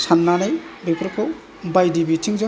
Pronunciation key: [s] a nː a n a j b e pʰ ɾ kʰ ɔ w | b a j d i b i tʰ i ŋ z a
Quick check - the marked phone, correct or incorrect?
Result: correct